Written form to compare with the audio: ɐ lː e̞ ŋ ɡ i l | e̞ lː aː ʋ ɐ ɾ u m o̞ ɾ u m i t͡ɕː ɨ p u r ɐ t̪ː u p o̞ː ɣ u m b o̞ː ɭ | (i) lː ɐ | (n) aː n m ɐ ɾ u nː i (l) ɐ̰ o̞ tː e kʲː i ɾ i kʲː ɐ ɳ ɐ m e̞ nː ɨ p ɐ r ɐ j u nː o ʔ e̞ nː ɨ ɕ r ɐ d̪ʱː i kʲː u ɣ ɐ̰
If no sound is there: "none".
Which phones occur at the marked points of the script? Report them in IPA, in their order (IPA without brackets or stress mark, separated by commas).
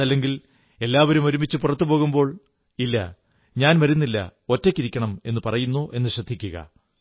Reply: i, ɲ, lː